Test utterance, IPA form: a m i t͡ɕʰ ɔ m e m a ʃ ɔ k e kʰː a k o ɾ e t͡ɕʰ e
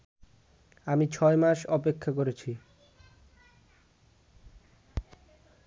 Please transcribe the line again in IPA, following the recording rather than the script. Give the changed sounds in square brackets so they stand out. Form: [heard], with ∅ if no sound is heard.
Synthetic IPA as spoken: a m i t͡ɕʰ ɔ [∅] e m a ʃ ɔ [p] e kʰː a k o ɾ e t͡ɕʰ [i]